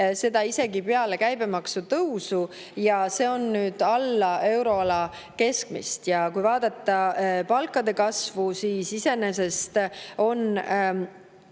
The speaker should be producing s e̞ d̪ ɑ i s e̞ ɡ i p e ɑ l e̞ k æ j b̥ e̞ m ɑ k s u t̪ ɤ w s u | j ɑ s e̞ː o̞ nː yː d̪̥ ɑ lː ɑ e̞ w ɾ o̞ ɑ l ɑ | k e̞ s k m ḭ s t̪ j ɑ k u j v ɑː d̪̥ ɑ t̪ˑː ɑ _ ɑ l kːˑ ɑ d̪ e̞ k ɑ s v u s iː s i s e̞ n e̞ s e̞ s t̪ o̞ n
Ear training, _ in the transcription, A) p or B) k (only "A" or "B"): A